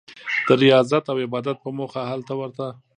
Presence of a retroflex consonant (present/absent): absent